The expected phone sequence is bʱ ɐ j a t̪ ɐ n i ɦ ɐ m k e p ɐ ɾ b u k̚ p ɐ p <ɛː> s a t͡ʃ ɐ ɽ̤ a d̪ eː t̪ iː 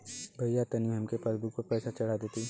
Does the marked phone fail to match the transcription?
no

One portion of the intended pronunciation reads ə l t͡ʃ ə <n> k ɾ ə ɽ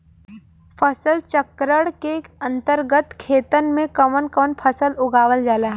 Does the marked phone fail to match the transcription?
yes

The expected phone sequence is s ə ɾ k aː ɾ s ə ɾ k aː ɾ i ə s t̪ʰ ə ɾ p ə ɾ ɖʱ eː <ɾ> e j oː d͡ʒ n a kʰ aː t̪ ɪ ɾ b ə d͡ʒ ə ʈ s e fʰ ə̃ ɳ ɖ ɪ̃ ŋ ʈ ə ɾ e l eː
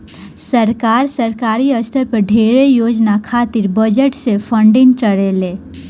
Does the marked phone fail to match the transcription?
no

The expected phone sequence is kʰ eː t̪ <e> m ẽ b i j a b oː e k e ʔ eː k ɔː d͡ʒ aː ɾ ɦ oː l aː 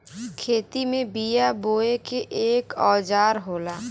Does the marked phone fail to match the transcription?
yes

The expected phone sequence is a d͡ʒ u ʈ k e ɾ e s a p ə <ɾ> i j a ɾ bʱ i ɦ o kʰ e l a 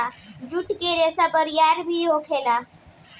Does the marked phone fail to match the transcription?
no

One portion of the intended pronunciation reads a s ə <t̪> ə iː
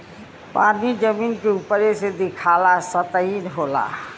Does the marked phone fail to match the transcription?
no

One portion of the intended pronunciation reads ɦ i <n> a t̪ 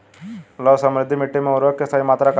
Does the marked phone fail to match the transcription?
yes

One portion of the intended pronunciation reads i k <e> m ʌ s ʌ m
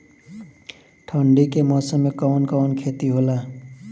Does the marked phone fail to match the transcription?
no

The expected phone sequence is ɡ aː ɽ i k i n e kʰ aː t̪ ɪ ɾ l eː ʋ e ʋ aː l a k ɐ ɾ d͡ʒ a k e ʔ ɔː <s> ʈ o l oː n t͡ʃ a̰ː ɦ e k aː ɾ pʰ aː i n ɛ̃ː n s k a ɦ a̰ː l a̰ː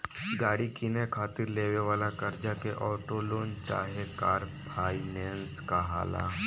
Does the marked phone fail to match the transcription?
yes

